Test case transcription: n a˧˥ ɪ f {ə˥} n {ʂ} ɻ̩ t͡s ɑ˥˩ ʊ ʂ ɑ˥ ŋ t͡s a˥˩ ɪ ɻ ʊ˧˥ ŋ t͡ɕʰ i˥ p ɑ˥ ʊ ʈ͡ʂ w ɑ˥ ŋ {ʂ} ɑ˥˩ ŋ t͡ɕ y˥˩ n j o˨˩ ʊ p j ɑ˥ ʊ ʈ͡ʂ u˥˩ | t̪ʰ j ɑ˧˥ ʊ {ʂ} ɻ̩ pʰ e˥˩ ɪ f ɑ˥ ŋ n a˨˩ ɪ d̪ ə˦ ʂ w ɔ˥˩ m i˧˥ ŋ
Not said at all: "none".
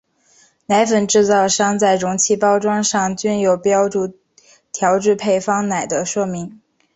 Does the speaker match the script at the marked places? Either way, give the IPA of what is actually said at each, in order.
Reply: ə˨˩, ʈ͡ʂ, ʂ, ʈ͡ʂ

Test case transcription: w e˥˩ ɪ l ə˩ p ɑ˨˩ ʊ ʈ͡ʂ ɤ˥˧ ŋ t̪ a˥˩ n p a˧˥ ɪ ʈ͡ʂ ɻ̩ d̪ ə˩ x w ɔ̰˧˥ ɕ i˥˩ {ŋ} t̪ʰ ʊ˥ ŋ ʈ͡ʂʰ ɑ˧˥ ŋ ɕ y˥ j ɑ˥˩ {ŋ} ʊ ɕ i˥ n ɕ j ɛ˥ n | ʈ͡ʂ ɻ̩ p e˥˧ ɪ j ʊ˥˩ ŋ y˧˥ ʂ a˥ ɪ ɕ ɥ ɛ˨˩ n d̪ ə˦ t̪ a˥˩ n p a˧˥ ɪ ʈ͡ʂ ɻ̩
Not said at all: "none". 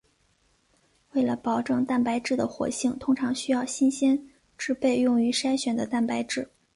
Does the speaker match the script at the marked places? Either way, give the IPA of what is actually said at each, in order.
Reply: ŋ, none

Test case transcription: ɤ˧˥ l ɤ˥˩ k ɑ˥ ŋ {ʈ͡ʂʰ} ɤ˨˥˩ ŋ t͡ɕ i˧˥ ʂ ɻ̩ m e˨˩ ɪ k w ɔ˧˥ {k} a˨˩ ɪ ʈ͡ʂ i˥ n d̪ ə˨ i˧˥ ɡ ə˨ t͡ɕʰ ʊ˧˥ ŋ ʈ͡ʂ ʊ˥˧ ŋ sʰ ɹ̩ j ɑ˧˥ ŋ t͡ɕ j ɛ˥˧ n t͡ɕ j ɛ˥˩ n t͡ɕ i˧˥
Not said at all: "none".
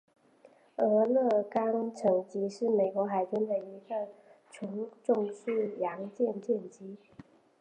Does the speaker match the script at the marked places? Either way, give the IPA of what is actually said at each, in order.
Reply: ʈ͡ʂʰ, x

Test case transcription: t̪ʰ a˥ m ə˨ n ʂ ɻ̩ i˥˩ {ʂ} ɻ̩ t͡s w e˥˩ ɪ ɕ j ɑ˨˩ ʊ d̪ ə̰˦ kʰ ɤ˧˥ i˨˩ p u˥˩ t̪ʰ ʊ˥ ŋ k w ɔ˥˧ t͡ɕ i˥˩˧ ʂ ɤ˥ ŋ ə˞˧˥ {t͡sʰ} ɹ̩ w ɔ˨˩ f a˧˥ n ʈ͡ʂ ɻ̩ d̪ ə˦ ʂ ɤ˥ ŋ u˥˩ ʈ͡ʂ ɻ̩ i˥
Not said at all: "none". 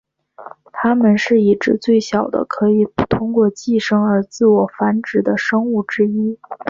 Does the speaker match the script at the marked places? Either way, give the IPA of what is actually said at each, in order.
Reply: ʈ͡ʂ, t͡s

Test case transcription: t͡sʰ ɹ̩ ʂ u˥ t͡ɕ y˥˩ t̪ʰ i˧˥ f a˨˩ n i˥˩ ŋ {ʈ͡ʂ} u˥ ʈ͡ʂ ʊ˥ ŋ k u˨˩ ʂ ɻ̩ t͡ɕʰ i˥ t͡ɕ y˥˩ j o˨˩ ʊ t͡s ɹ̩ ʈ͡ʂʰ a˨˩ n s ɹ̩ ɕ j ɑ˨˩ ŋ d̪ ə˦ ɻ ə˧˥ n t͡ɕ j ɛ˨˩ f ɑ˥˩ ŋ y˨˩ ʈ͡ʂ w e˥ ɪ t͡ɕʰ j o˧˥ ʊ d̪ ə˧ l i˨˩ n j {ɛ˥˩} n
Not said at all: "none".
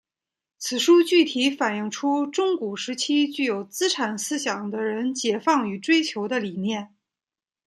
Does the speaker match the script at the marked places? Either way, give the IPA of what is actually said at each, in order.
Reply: ʈ͡ʂʰ, ɛ˥˩

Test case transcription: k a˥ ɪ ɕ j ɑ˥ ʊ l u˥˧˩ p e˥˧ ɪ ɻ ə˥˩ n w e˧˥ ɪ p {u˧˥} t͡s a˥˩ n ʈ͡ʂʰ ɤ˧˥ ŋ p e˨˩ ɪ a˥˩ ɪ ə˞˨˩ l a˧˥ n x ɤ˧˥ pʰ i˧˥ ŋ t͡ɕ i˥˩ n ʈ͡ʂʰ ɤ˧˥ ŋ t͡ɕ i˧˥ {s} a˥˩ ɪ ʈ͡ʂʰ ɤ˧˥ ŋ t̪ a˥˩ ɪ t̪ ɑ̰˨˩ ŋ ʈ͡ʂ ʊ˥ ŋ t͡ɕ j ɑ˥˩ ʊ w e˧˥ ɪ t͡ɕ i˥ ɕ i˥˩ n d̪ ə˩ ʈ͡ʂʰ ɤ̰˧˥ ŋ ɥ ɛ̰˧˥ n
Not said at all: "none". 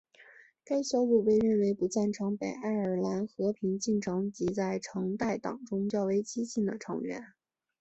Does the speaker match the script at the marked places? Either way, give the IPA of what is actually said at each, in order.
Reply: u˧˥, t͡s

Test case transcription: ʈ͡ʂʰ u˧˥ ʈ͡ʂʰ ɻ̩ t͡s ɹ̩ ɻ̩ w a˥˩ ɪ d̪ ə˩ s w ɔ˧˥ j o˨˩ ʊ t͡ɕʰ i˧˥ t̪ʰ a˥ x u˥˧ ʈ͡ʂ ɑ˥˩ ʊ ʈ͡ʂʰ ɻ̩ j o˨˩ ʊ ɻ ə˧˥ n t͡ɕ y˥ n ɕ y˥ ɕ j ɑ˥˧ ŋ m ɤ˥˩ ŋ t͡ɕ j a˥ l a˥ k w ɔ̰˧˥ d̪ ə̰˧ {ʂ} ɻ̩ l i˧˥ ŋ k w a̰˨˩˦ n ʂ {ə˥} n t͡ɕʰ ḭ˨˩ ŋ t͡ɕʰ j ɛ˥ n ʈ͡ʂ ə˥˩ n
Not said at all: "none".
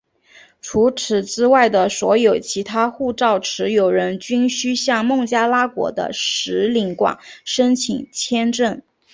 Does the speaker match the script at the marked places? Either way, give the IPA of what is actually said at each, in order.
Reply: ʂ, ə˥

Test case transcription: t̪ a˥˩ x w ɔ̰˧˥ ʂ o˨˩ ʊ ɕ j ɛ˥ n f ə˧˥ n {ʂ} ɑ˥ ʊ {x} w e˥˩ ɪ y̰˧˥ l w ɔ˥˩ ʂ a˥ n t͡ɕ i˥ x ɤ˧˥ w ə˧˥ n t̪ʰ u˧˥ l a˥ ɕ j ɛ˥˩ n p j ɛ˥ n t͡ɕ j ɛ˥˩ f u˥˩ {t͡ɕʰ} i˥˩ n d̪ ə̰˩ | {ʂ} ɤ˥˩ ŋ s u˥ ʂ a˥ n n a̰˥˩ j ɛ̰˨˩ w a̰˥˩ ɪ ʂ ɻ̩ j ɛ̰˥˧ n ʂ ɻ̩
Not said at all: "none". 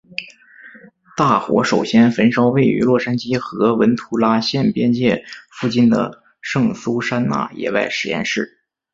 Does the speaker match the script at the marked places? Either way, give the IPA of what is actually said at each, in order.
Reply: ʂ, none, t͡ɕ, ʂ

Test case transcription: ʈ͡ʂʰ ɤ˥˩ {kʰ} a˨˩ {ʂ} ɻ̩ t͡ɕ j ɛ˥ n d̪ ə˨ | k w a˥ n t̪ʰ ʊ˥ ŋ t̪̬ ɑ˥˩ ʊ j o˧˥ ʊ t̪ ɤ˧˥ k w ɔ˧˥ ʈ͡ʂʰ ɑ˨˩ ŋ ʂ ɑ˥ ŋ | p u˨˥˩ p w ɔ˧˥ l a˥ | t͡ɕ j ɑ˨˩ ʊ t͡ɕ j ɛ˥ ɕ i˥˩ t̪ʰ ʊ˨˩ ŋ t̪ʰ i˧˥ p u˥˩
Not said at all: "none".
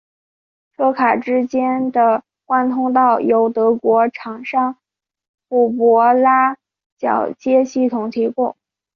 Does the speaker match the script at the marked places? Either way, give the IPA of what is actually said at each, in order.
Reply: kʰ, ʈ͡ʂ

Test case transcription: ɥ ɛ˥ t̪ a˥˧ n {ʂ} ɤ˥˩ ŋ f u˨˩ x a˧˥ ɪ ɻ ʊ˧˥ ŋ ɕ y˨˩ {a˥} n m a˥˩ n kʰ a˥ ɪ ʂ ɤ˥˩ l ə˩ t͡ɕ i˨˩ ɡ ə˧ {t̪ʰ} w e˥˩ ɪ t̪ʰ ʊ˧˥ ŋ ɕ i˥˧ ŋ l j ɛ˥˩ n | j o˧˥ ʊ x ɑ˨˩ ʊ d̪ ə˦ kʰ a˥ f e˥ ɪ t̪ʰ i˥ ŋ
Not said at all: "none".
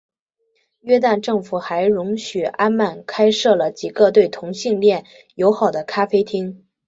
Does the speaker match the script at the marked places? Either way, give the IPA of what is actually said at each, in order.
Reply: ʈ͡ʂ, a˥, t̪

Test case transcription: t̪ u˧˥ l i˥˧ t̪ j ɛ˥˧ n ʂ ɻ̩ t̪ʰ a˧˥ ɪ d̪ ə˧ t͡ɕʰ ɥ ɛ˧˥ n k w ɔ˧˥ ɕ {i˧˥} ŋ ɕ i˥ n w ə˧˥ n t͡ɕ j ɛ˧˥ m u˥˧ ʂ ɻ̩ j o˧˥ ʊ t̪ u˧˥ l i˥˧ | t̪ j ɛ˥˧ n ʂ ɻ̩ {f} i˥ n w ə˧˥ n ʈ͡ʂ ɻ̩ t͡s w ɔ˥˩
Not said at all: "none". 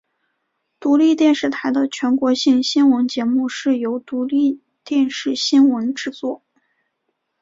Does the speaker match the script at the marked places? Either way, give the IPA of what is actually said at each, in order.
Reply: i˥˩, ɕ

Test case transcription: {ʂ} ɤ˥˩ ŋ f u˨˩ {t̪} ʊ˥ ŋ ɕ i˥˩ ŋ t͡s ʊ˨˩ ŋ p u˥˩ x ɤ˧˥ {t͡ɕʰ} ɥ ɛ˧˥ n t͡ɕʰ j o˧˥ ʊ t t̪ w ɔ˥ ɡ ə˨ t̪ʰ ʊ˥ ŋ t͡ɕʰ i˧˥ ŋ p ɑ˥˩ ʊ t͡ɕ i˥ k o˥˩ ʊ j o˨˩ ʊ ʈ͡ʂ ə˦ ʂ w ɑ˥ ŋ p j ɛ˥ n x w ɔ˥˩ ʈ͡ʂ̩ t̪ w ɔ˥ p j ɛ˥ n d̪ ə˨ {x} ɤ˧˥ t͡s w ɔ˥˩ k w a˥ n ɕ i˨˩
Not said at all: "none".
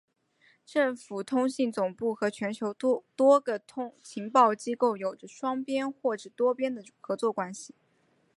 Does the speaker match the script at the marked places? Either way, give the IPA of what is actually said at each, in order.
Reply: ʈ͡ʂ, t̪ʰ, t͡ɕʰ, x

